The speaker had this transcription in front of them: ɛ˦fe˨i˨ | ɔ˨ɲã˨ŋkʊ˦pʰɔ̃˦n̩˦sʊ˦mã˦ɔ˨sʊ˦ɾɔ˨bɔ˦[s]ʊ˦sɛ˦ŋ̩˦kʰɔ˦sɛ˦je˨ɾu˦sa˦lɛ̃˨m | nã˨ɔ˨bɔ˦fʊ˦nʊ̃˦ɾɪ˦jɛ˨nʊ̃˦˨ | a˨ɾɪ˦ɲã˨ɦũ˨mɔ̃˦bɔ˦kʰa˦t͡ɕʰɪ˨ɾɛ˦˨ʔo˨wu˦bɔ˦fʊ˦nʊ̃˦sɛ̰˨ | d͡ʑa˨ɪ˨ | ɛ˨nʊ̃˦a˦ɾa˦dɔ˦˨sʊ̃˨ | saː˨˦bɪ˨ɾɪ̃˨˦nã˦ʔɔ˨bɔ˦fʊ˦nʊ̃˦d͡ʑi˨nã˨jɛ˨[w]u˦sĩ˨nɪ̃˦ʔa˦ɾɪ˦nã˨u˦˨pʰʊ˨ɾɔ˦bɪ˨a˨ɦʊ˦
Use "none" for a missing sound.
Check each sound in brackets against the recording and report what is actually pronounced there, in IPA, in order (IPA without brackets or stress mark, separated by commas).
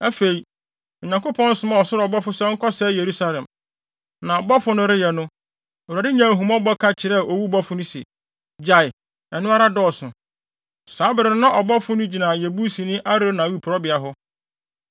f, b